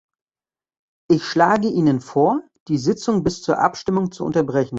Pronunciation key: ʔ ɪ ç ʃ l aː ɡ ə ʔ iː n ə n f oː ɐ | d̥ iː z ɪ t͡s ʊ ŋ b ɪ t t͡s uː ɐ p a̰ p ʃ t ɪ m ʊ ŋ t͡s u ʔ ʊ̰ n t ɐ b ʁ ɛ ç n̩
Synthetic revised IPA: ʔ ɪ ç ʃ l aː ɡ ə ʔ iː n ə n f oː ɐ | d̥ iː z ɪ t͡s ʊ ŋ b ɪ s t͡s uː ɐ ʔ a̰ p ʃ t ɪ m ʊ ŋ t͡s u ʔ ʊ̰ n t ɐ b ʁ ɛ ç n̩